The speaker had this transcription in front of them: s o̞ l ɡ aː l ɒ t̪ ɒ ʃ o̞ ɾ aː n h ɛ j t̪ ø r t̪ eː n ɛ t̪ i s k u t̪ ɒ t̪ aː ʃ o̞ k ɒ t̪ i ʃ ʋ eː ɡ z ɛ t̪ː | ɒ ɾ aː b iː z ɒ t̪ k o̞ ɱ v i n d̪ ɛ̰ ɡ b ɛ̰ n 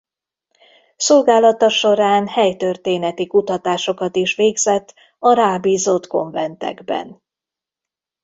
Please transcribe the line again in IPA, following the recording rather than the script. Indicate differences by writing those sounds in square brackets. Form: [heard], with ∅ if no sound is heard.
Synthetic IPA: s o̞ l ɡ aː l ɒ t̪ ɒ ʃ o̞ ɾ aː n h ɛ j t̪ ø r t̪ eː n ɛ t̪ i [∅] k u t̪ ɒ t̪ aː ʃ o̞ k ɒ t̪ i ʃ ʋ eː ɡ z ɛ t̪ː | ɒ ɾ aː b iː z [o] t̪ k o̞ ɱ v [ɛ] n [t̪] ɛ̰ ɡ b ɛ̰ n